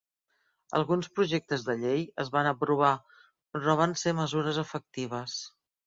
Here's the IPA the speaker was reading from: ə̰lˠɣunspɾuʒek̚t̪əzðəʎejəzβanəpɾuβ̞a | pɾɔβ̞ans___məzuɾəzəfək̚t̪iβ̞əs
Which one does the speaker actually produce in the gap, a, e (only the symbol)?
e